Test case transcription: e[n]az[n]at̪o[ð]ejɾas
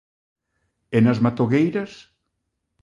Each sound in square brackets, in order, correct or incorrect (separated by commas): correct, incorrect, incorrect